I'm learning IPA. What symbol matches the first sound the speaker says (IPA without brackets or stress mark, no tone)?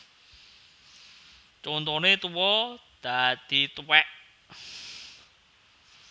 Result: t͡ʃ